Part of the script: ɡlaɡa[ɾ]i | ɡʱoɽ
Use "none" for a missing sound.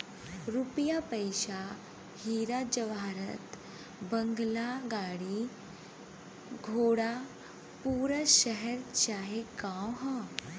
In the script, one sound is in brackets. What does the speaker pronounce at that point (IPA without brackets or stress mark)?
ɽ